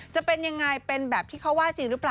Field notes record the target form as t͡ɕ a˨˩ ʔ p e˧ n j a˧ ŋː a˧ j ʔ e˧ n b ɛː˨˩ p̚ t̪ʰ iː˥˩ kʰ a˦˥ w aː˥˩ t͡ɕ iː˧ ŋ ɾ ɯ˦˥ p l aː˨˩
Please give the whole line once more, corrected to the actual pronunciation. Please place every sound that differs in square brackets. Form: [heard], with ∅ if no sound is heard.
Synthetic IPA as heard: t͡ɕ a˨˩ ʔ p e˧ n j a˧ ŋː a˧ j [p] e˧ n b ɛː˨˩ p̚ t̪ʰ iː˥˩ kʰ a˦˥ w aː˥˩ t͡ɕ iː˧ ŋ ɾ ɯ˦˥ p l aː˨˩